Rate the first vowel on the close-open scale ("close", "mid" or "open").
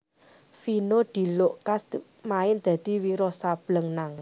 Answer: close